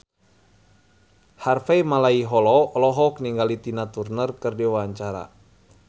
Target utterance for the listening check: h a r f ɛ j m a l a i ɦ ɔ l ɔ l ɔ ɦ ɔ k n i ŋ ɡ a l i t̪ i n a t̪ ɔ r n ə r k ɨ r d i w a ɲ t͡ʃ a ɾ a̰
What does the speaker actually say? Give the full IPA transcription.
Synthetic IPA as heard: h a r f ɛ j m a l a i ɦ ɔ l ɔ l ɔ ɦ ɔ k n i ŋ ɡ a l i t̪ i n a t̪ u r n ə r k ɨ r d i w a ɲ t͡ʃ a ɾ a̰